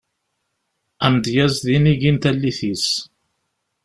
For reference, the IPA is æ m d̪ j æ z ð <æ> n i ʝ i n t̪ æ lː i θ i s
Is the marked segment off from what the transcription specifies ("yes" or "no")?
yes